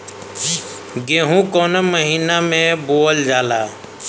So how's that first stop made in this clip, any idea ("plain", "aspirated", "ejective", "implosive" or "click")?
plain